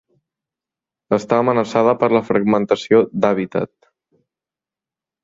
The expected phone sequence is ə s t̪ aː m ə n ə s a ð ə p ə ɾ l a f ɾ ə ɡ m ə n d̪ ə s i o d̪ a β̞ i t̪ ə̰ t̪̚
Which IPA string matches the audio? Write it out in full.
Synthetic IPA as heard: ə s t̪ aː m ə n ə s a ð ə p ə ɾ l ə f ɾ ə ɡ m ə n t̪ ə s i o d̪ a β̞ i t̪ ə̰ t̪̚

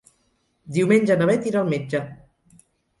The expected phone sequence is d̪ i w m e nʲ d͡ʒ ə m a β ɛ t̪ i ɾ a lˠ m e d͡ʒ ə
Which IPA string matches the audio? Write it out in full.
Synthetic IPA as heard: d̪ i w m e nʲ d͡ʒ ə n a β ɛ t̪ i ɾ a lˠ m e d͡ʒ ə

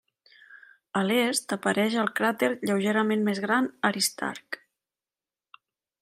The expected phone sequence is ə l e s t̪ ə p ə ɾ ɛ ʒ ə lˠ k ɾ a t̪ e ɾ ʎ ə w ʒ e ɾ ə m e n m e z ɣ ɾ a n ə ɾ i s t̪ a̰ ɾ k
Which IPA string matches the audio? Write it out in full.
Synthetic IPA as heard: ə l e s t̪ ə p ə ɾ ɛ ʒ ə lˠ k ɾ a t̪ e ɾ ʎ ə w ʒ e ɾ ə m e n m e z ɣ ɾ a n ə ɾ i s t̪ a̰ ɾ k

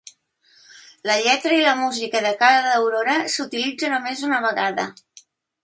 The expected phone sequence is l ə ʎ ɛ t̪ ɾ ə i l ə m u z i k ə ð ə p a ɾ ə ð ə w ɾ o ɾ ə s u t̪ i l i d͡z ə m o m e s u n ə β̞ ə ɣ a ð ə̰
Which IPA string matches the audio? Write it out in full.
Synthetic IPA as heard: l ə ʎ ɛ t̪ ɾ ə i l ə m u z i k ə ð ə k a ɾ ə ð ə w ɾ o ɾ ə s u t̪ i l i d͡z ə n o m e z u n ə β̞ ə ɣ a ð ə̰

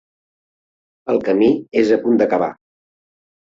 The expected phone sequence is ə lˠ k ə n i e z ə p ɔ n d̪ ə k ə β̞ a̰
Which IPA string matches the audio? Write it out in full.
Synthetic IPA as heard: ə lˠ k ə m i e z ə p u n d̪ ə k ə β̞ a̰

